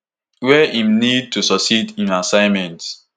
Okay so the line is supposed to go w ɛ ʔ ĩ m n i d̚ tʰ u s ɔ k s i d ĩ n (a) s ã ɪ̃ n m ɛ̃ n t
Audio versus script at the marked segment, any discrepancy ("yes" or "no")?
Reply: no